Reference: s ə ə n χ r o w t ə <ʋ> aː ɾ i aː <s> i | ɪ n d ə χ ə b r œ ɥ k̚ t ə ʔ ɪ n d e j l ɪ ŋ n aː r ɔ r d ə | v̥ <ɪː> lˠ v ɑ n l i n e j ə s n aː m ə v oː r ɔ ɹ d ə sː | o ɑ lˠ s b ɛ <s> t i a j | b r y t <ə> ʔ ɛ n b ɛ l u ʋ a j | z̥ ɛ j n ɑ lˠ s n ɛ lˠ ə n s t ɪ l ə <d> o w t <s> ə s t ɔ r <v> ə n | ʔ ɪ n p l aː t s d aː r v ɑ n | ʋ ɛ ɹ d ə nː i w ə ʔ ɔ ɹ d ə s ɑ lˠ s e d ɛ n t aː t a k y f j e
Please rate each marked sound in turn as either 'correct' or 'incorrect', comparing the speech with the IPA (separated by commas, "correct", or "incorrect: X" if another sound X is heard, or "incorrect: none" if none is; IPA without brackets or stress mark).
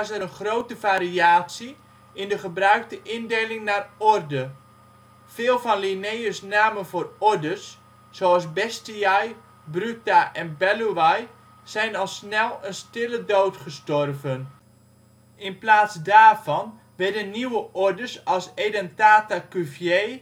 incorrect: v, correct, correct, correct, incorrect: a, correct, incorrect: χ, correct